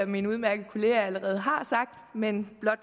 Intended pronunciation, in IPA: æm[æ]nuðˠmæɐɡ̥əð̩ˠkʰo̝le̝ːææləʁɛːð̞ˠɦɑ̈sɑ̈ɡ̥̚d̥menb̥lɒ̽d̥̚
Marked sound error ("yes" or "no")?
yes